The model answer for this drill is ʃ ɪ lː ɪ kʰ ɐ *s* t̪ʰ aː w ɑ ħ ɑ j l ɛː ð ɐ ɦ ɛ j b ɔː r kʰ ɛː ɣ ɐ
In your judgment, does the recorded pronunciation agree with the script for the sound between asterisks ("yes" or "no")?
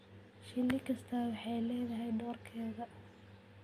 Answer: yes